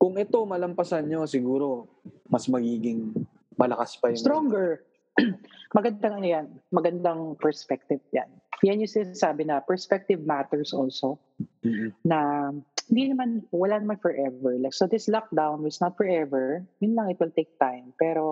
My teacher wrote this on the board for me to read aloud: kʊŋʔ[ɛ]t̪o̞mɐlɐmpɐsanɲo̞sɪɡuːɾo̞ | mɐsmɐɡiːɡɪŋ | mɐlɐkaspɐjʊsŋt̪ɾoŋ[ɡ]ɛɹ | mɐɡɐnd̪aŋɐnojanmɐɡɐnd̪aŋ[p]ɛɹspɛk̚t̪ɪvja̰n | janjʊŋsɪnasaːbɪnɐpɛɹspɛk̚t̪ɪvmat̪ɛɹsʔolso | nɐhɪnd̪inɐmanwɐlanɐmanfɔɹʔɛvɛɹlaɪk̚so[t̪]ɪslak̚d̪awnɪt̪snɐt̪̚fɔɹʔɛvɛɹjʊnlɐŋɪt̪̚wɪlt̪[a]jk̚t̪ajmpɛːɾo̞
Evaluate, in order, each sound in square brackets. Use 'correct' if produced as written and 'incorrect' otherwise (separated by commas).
correct, correct, correct, incorrect, incorrect